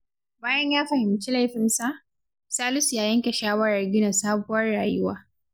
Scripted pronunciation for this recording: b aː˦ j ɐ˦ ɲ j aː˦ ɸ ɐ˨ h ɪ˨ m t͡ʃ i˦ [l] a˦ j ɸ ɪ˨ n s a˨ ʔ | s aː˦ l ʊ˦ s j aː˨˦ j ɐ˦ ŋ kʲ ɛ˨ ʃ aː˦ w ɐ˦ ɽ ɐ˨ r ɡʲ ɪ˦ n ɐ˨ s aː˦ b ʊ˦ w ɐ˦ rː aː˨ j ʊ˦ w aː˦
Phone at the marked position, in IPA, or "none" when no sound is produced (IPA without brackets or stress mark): l